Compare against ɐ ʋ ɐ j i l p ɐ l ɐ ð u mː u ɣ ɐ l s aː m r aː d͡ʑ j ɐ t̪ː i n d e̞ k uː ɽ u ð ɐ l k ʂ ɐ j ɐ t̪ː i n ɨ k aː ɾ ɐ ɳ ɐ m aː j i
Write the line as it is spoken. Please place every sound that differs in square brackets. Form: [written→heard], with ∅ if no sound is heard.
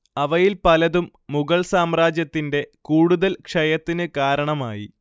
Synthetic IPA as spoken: ɐ ʋ ɐ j i l p ɐ l ɐ ð u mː u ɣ ɐ [l→ɭ] s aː m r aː d͡ʑ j ɐ t̪ː i n d e̞ k uː ɽ u ð ɐ l k ʂ ɐ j ɐ t̪ː i n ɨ k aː ɾ ɐ ɳ ɐ m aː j i

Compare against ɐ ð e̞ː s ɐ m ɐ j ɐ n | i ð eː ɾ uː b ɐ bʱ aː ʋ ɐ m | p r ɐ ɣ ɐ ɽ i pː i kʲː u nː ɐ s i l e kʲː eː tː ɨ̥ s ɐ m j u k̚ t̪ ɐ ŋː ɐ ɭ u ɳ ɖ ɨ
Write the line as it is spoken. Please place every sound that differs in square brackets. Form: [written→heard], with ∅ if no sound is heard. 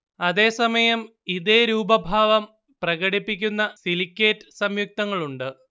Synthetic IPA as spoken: ɐ ð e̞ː s ɐ m ɐ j ɐ [n→m] | i ð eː ɾ uː b ɐ bʱ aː ʋ ɐ m | p r ɐ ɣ ɐ ɽ i pː i kʲː u nː ɐ s i l [e→i] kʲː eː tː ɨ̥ s ɐ m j u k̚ t̪ ɐ ŋː ɐ ɭ u ɳ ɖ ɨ

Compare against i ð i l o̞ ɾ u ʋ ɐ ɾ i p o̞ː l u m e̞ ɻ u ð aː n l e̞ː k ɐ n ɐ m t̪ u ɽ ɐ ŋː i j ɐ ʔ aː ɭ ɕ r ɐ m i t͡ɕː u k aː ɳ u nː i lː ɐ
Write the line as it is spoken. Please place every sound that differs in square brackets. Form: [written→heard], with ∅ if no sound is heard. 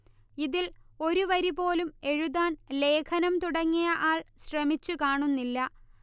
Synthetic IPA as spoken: i ð i l o̞ ɾ u ʋ ɐ ɾ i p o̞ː l u m e̞ ɻ u ð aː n l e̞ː [k→kʰ] ɐ n ɐ m t̪ u ɽ ɐ ŋː i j ɐ ʔ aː ɭ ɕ r ɐ m i t͡ɕː u k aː ɳ u nː i lː ɐ

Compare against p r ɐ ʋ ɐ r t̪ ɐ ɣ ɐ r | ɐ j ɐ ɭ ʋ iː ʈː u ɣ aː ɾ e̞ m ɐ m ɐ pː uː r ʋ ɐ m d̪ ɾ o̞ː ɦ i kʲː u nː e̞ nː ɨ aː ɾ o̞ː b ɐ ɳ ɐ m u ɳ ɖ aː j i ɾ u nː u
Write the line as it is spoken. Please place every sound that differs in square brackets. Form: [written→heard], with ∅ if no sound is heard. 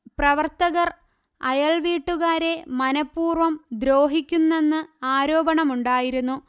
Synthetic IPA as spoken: p r ɐ ʋ ɐ r t̪ ɐ ɣ ɐ r | ɐ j ɐ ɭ ʋ iː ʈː u ɣ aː ɾ e̞ m ɐ [m→n] ɐ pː uː r ʋ ɐ m d̪ ɾ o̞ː ɦ i kʲː u nː e̞ nː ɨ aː ɾ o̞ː b ɐ ɳ ɐ m u ɳ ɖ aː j i ɾ u nː u

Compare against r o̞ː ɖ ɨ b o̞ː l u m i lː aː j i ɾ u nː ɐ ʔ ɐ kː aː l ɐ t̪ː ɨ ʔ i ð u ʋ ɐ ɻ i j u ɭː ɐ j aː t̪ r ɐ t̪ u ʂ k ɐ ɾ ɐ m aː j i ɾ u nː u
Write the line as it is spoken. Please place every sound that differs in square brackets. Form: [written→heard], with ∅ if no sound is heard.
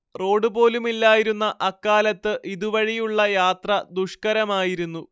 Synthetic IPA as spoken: r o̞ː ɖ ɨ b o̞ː l u m i lː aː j i ɾ u nː ɐ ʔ ɐ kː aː l ɐ t̪ː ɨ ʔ i ð u ʋ ɐ ɻ i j u ɭː ɐ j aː t̪ r ɐ [t̪→d̪] u ʂ k ɐ ɾ ɐ m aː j i ɾ u nː u

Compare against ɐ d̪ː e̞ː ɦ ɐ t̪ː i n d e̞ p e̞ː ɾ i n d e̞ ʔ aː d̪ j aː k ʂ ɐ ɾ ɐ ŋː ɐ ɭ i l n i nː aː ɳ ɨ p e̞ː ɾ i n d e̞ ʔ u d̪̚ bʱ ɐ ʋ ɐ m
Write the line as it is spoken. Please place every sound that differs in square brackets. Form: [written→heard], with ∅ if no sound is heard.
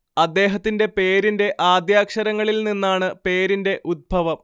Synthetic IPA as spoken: ɐ d̪ː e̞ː ɦ ɐ t̪ː i n d e̞ p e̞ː ɾ i n d e̞ ʔ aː d̪ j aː k ʂ ɐ ɾ ɐ ŋː ɐ ɭ i l n i nː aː ɳ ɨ p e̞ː ɾ i n d e̞ ʔ u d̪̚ bʱ ɐ ʋ ɐ m

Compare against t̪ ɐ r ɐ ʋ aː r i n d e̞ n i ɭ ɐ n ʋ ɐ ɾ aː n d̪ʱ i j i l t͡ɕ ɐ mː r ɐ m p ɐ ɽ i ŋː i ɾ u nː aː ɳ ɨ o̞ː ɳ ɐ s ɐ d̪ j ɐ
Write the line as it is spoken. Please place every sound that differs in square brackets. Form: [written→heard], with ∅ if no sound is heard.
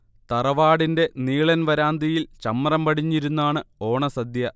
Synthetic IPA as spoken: t̪ ɐ r ɐ ʋ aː [r→ɽ] i n d e̞ n [i→iː] ɭ ɐ n ʋ ɐ ɾ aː n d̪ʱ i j i l t͡ɕ ɐ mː r ɐ m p ɐ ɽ i [ŋː→ɲː] i ɾ u nː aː ɳ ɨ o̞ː ɳ ɐ s ɐ d̪ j ɐ

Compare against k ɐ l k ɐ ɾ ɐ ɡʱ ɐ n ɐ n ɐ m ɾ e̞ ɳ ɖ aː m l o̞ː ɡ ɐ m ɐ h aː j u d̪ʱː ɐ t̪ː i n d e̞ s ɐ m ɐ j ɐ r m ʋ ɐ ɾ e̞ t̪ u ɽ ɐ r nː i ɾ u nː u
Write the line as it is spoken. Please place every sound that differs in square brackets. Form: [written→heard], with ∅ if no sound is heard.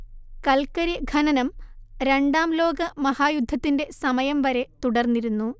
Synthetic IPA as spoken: k ɐ l k ɐ ɾ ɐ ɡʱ ɐ n ɐ n ɐ m ɾ e̞ ɳ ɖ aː m l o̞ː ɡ ɐ m ɐ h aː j u d̪ʱː ɐ t̪ː i n d e̞ s ɐ m ɐ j ɐ [r→∅] m ʋ ɐ ɾ e̞ t̪ u ɽ ɐ r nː i ɾ u nː u

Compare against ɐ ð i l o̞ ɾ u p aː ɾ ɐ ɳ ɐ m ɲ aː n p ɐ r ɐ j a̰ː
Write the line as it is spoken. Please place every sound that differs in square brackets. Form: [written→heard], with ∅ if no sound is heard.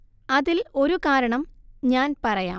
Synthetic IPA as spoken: ɐ ð i l o̞ ɾ u [p→k] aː ɾ ɐ ɳ ɐ m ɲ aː n p ɐ r ɐ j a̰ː

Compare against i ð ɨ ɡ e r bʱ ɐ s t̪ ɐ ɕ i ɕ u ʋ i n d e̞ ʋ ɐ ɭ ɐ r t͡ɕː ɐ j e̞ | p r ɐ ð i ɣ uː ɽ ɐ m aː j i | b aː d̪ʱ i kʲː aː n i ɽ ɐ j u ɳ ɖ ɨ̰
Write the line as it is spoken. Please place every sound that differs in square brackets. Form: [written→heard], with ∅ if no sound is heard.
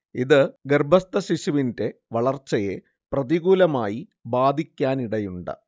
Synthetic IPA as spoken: i ð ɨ ɡ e r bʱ ɐ s t̪ ɐ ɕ i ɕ u ʋ i n d e̞ ʋ ɐ ɭ ɐ r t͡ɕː ɐ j e̞ | p r ɐ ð i ɣ uː [ɽ→l] ɐ m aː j i | b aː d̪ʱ i kʲː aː n i ɽ ɐ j u ɳ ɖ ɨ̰

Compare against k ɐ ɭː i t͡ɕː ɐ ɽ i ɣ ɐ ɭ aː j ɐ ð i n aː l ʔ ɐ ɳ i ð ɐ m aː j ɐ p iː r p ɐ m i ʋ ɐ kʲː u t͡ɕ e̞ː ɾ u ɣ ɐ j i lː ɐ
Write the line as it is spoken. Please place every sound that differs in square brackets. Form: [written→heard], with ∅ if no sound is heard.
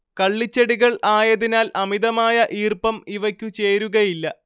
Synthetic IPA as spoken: k ɐ ɭː i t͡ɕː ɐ ɽ i ɣ ɐ ɭ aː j ɐ ð i n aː l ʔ ɐ [ɳ→m] i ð ɐ m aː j ɐ [p→ʔ] iː r p ɐ m i ʋ ɐ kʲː u t͡ɕ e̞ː ɾ u ɣ ɐ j i lː ɐ

